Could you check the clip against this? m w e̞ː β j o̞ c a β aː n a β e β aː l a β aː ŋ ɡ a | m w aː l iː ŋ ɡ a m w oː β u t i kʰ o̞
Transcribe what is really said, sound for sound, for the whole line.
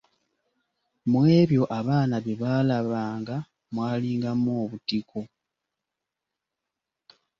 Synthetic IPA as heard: m w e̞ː β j o̞ ʔ a β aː n a β e β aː l a β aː ŋ ɡ a | m w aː l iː ŋ ɡ a m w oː β u t i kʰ o̞